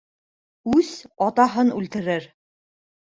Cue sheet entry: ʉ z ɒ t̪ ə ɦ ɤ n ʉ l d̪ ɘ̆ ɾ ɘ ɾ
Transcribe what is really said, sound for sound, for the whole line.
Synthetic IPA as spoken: ʉ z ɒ t̪ ɑ ɦ ɤ n ʉ l t̪ ɘ̆ ɾ ɘ ɾ